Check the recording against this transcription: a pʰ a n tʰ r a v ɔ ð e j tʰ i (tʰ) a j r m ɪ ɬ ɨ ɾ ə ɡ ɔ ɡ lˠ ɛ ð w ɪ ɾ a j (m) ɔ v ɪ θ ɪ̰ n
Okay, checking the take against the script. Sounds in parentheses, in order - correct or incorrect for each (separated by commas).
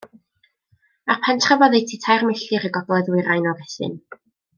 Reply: correct, incorrect